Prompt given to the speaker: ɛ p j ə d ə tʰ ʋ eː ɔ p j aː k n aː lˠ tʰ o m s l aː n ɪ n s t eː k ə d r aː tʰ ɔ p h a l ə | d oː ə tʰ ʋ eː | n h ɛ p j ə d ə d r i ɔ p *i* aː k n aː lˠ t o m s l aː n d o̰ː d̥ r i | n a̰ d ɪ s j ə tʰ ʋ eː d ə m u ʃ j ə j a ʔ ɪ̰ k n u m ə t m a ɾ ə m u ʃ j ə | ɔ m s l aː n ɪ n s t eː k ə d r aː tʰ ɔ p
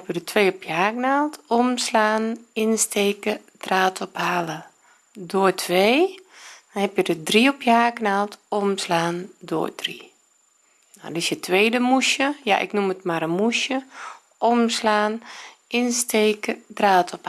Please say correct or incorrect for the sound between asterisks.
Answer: incorrect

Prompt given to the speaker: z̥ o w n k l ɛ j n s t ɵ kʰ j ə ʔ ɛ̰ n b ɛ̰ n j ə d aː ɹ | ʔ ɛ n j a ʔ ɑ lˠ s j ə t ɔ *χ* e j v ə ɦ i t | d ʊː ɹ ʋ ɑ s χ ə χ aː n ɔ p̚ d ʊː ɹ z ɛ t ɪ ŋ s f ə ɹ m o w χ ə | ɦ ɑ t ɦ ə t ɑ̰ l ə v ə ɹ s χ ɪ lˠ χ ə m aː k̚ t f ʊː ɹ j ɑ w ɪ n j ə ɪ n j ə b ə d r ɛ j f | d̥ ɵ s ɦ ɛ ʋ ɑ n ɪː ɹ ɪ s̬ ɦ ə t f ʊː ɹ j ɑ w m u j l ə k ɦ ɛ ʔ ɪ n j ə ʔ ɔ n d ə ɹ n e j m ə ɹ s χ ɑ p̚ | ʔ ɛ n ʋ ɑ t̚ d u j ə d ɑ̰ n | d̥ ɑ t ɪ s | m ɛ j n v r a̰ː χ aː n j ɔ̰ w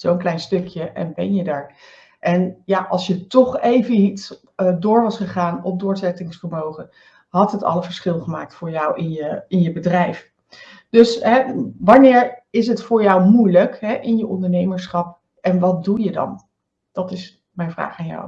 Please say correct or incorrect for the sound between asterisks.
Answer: correct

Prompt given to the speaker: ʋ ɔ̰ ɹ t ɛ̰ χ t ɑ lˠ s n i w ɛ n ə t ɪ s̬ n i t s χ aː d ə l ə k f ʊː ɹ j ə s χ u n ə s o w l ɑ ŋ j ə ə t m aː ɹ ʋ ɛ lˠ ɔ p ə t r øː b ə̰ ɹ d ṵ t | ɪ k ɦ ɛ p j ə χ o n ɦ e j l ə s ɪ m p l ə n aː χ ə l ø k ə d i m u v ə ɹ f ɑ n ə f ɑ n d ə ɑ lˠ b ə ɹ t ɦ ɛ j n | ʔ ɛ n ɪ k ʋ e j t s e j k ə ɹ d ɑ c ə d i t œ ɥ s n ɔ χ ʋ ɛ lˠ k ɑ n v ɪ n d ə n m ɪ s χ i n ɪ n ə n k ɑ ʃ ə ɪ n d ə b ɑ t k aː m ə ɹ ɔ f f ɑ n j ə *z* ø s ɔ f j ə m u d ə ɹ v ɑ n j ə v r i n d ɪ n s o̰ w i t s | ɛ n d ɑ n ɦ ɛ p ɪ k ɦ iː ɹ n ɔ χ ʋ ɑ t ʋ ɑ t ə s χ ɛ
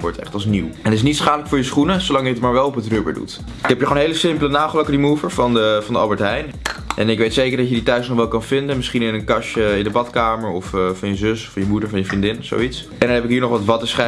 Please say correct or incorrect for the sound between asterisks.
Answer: correct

